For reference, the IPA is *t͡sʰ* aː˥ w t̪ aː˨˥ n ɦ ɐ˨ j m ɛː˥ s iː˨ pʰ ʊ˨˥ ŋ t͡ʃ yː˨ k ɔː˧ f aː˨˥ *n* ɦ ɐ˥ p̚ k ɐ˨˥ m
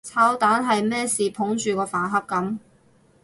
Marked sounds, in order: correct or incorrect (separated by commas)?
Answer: correct, correct